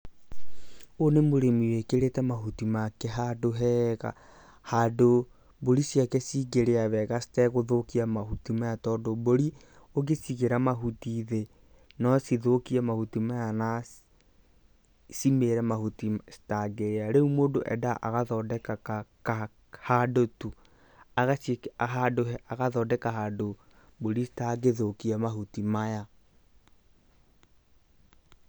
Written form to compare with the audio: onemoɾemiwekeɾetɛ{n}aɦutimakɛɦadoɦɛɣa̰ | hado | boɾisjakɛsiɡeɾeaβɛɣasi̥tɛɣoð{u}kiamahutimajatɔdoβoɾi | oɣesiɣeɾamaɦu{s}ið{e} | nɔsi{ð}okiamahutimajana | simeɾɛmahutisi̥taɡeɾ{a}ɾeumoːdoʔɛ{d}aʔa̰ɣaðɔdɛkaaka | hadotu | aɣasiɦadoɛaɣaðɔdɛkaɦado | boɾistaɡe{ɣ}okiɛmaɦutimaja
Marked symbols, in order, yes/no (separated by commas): no, no, no, yes, yes, yes, yes, no